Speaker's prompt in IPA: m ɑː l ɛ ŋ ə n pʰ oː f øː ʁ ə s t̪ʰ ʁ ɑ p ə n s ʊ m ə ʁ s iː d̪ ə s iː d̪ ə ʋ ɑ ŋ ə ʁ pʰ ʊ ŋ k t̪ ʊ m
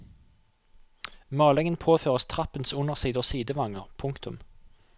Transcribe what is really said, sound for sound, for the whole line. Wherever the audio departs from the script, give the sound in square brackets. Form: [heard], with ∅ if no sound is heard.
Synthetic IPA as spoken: m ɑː l ɛ ŋ ə n pʰ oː f øː ʁ ə s t̪ʰ ʁ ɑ p ə n s ʊ [n] ə ʁ s iː d̪ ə s iː d̪ ə ʋ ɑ ŋ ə ʁ pʰ ʊ ŋ k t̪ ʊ m